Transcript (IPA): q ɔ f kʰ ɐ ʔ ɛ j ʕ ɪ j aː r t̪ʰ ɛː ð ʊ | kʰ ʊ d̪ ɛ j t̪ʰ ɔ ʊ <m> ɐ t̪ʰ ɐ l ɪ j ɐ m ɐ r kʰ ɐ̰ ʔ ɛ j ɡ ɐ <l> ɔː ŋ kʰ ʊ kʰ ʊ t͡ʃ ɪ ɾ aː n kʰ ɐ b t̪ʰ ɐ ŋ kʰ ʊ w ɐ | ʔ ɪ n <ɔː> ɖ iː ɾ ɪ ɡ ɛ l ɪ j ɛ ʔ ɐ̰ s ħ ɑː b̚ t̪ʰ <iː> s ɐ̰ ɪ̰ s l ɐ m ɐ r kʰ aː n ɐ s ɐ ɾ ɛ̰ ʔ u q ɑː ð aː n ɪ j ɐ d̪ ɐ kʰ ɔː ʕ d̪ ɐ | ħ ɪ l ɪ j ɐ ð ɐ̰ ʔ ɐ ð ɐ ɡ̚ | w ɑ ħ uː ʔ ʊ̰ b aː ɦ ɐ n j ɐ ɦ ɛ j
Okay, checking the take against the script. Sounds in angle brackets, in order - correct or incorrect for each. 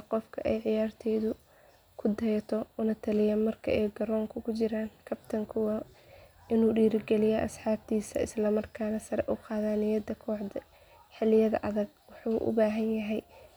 incorrect: n, incorrect: ɾ, incorrect: uː, correct

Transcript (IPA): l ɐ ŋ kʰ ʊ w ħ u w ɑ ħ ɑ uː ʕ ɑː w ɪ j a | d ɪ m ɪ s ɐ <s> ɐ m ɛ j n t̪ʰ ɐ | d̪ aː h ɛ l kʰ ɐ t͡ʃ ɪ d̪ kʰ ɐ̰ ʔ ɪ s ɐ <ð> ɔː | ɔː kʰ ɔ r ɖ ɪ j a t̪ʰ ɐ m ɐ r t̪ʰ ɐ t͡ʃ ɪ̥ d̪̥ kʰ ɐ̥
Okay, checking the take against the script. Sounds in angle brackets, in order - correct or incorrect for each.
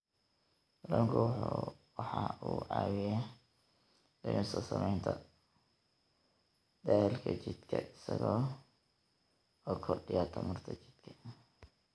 correct, incorrect: ɣ

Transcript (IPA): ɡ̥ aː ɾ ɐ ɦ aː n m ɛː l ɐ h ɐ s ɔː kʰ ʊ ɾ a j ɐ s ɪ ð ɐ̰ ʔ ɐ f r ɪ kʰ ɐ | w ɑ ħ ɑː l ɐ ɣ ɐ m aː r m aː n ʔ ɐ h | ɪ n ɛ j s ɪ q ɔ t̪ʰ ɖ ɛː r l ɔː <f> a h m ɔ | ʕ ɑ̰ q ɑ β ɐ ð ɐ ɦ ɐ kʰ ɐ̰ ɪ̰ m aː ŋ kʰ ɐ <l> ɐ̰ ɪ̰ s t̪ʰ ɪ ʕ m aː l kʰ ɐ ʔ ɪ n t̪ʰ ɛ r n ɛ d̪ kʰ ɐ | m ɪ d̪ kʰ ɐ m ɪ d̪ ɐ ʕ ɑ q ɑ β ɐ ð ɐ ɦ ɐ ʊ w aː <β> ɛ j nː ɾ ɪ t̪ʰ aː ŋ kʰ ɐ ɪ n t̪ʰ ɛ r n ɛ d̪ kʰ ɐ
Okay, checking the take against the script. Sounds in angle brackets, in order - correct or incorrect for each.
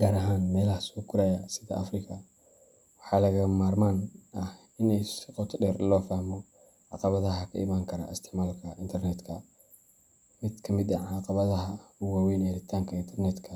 correct, incorrect: ɾ, incorrect: w

